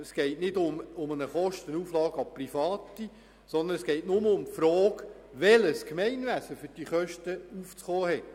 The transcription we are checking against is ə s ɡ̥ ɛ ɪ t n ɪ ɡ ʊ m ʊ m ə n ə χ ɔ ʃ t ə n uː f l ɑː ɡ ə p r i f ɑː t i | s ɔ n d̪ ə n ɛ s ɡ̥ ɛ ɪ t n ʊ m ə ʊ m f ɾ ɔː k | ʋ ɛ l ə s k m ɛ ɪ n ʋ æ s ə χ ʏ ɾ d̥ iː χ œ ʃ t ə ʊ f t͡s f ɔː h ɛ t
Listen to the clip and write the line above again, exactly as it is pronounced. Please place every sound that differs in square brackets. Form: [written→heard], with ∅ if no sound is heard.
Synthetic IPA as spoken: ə s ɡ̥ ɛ ɪ t n ɪ [ɡ→d] ʊ m ʊ m ə n ə χ ɔ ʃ t ə n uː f l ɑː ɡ [ə→ɑ] p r i f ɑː t i | s ɔ n d̪ ə n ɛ s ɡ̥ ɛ ɪ t n ʊ m ə ʊ m f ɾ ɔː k | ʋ ɛ l ə s k m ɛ ɪ n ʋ æ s ə [χ→f] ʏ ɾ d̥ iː χ œ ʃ t ə [ʊ→u] f t͡s [f→χ] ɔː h ɛ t